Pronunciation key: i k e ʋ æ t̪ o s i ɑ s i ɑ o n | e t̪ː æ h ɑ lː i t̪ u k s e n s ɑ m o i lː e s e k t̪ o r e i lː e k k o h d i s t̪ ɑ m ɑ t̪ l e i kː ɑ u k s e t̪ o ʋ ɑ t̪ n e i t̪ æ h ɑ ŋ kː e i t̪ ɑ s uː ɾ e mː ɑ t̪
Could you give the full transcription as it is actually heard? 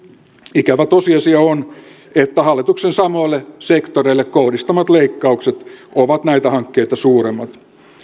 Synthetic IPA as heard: i k æ ʋ æ t̪ o s i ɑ s i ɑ o n | e t̪ː æ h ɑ lː i t̪ u k s e n s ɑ m o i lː e s e k t̪ o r e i lː e k k o h d i s t̪ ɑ m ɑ t̪ l e i kː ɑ u k s e t̪ o ʋ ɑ t̪ n æ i t̪ æ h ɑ ŋ kː e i t̪ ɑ s uː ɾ e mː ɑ t̪